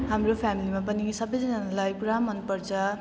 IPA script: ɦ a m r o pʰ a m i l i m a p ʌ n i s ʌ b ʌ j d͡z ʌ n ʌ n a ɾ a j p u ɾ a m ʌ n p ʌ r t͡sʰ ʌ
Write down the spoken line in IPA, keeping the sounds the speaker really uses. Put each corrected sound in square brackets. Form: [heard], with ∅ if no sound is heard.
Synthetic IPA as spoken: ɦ a m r o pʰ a m i l i m a p ʌ n i s ʌ b ʌ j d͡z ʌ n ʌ n a [l] a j p u ɾ a m ʌ n p ʌ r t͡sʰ ʌ